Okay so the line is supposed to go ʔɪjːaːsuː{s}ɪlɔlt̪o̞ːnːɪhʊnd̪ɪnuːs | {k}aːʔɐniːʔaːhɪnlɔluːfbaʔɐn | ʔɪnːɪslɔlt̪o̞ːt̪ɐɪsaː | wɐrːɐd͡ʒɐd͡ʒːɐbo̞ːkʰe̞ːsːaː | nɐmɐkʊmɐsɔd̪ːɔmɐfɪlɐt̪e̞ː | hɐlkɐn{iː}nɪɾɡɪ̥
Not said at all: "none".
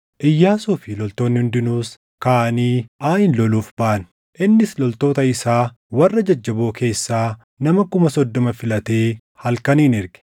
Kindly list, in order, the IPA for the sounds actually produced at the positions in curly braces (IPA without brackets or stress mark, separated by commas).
f, k, iː